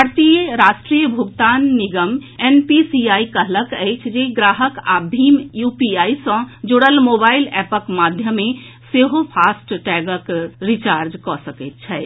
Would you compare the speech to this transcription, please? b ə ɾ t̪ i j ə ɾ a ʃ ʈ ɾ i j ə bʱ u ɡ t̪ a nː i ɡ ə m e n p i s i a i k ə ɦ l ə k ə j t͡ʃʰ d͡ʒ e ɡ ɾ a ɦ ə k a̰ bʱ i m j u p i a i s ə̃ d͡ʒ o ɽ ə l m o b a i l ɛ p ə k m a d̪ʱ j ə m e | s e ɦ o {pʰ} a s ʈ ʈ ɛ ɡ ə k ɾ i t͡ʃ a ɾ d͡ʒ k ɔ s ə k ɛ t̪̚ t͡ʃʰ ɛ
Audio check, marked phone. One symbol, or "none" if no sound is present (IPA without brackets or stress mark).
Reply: pʰ